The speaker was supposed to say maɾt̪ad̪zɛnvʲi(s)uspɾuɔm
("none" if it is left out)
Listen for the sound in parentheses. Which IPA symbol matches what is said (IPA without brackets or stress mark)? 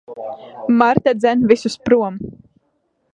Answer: s